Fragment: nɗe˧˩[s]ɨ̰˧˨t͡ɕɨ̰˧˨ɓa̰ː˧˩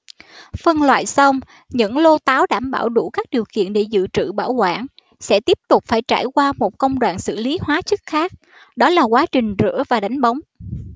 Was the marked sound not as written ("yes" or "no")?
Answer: yes